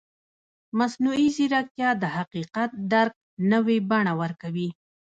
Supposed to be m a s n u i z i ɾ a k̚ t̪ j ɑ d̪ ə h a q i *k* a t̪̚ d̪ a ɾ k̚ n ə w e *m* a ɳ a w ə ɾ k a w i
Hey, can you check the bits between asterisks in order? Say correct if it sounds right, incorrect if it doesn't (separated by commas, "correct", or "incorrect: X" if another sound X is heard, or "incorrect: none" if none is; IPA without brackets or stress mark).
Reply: incorrect: q, incorrect: b